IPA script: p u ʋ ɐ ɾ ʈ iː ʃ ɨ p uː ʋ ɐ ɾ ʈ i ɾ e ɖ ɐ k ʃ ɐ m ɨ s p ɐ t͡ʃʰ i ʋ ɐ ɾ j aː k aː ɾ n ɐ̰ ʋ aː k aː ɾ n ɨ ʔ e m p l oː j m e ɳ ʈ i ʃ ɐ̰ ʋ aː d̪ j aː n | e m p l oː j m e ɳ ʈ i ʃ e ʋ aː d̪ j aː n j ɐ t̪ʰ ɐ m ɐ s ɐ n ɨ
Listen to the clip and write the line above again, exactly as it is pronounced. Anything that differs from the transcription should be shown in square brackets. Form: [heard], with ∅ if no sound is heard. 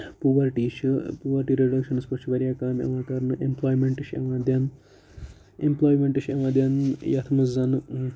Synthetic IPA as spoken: p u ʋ ɐ ɾ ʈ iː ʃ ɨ p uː ʋ ɐ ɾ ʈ i ɾ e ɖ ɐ k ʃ ɐ [n] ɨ s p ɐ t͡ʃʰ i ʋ ɐ ɾ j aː k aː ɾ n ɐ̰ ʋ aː k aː ɾ n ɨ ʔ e m p l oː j m e ɳ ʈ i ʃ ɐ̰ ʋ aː d̪ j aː n | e m p l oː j m e ɳ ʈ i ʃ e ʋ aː d̪ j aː n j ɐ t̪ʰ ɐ m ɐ [z] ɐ n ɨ

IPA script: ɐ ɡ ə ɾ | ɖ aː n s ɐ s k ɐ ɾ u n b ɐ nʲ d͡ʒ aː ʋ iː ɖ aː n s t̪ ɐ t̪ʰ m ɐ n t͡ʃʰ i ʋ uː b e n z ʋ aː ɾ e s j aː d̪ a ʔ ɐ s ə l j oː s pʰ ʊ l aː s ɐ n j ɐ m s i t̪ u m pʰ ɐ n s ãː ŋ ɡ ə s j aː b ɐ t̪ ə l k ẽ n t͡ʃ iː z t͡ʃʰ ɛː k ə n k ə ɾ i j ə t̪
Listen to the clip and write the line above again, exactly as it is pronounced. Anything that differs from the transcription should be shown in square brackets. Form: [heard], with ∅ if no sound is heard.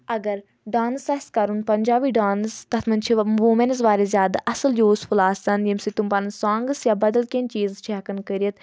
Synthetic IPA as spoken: ɐ ɡ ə ɾ | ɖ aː n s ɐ s k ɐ ɾ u n [p] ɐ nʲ d͡ʒ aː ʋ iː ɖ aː n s t̪ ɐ t̪ʰ m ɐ n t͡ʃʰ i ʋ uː [m] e n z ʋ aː ɾ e [z] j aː d̪ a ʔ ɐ s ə l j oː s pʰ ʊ l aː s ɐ n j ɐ m s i t̪ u m [p] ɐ n s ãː ŋ ɡ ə s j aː b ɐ [d̪] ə l k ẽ n t͡ʃ iː z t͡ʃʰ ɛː k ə n k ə ɾ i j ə t̪

